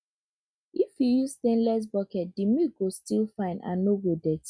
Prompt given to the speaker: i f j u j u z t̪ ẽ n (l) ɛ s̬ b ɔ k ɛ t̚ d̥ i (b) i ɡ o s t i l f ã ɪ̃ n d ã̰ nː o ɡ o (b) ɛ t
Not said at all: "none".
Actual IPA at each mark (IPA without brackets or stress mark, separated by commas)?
l, m, d